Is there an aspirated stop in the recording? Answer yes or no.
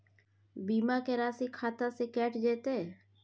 yes